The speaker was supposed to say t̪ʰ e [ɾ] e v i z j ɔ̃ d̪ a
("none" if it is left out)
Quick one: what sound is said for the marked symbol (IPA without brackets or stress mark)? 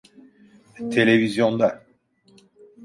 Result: l